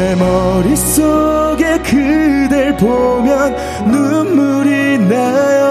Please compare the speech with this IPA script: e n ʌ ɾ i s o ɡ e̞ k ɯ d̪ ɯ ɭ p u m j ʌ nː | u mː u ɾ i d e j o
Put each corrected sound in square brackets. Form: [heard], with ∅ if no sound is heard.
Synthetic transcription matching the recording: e [m] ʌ ɾ i s o ɡ e̞ k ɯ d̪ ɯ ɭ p [o] m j ʌ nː | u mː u ɾ i [n] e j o